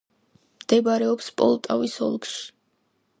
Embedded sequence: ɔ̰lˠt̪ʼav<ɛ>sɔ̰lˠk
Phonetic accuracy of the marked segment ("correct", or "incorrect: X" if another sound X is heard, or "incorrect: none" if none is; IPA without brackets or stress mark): incorrect: i